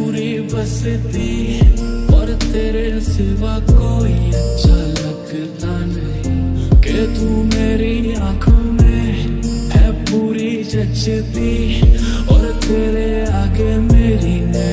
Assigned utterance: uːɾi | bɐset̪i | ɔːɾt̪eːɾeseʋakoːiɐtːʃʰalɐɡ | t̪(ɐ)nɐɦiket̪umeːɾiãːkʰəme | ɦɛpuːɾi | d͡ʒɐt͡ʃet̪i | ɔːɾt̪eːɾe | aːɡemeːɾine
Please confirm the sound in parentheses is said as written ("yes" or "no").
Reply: no